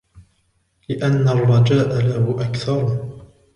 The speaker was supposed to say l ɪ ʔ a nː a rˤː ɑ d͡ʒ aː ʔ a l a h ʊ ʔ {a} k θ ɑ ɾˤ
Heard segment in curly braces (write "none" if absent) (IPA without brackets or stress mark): a